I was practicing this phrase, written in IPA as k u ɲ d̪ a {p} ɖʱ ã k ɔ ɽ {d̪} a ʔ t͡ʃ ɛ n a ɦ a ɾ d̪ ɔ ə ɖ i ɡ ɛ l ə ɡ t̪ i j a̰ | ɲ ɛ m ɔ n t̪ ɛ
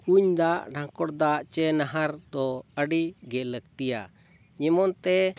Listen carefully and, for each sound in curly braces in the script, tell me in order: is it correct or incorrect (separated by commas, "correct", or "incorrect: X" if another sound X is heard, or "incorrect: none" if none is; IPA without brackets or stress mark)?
incorrect: ʔ, correct